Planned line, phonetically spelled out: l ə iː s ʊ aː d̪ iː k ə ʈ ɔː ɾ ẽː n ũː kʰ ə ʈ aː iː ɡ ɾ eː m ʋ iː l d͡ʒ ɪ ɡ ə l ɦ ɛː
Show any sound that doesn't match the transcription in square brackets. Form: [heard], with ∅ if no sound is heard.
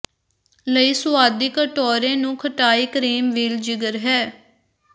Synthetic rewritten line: l ə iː s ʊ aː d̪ iː k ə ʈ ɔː ɾ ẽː n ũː kʰ ə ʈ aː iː [k] ɾ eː m ʋ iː l d͡ʒ ɪ ɡ ə [ɾ] ɦ ɛː